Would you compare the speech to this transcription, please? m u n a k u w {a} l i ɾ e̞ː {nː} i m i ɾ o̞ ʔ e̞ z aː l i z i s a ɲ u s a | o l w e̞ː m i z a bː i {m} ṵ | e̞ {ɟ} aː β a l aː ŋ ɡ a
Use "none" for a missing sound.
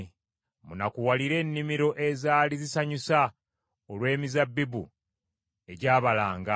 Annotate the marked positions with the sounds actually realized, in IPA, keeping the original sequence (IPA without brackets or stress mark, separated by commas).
a, nː, b, ɟ